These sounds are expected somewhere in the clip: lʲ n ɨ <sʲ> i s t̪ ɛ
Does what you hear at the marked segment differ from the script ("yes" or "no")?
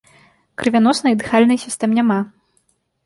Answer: no